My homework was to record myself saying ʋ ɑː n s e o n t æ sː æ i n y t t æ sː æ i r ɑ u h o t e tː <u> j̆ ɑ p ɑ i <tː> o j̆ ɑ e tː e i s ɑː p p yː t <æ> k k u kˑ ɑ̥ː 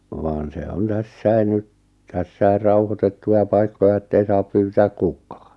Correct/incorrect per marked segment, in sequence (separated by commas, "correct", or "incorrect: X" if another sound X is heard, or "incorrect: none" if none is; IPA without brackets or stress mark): correct, incorrect: kː, incorrect: æː